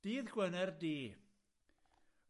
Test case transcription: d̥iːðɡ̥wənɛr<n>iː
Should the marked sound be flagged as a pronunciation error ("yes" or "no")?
yes